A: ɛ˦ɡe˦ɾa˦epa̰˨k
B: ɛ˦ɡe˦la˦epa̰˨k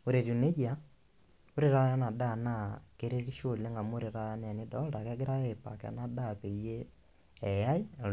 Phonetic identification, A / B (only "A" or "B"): A